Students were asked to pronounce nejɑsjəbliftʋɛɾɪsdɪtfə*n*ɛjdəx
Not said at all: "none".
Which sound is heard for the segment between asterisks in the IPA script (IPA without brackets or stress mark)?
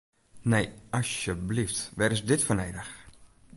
n